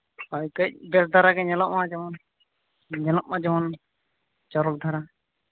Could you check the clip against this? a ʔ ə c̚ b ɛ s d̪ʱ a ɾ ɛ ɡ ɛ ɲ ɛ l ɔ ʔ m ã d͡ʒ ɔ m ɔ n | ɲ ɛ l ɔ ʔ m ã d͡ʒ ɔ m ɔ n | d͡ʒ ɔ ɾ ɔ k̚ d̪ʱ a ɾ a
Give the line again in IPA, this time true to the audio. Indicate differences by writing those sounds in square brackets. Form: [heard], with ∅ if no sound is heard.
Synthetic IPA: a [k] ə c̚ b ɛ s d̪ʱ a ɾ [a] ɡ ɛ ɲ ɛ l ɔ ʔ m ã d͡ʒ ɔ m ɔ n | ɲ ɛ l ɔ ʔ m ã d͡ʒ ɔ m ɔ n | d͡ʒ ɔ ɾ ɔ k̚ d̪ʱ a ɾ a